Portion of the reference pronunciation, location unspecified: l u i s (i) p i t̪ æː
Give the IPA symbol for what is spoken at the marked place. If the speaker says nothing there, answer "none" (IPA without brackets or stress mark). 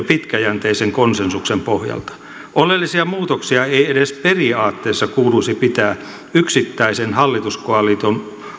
i